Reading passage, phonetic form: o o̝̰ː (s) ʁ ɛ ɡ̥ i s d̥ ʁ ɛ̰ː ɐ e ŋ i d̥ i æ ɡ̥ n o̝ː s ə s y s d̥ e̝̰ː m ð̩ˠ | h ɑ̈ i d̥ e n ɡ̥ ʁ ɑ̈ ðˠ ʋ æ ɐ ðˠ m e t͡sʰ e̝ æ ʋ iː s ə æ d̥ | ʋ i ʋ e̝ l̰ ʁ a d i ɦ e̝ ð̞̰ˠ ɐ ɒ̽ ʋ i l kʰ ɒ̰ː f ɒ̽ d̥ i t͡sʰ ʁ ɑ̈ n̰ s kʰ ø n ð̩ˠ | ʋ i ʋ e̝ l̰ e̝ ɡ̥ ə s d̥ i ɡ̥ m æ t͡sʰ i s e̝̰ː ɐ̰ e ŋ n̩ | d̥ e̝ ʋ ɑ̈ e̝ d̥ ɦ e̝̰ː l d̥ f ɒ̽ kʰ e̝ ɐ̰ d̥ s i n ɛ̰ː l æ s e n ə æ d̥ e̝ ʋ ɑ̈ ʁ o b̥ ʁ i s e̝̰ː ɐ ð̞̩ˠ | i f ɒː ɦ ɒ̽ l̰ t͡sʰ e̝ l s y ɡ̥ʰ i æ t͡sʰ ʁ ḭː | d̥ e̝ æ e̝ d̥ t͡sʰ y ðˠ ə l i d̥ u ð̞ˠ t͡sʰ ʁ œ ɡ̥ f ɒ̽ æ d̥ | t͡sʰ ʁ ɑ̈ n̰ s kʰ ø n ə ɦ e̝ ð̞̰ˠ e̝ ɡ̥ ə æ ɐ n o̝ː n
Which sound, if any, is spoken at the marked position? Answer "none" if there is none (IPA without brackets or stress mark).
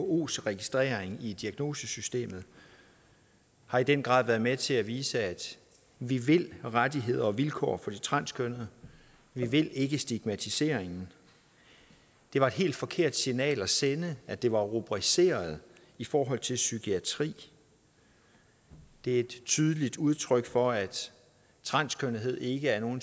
s